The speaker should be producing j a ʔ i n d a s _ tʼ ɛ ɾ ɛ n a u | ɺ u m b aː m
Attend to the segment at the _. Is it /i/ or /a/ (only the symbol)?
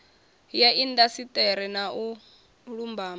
i